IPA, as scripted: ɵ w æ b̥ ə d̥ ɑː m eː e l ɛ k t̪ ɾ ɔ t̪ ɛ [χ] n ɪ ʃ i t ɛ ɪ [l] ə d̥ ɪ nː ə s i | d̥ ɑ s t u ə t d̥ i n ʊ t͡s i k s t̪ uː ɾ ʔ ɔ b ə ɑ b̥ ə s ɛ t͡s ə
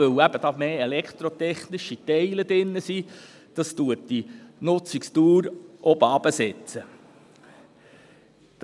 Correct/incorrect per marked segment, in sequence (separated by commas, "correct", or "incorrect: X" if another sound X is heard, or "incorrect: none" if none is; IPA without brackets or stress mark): correct, correct